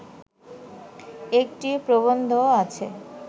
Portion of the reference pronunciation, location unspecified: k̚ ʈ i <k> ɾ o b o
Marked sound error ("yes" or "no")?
yes